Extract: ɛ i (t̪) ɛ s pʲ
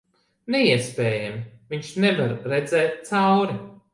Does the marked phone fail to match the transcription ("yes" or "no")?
yes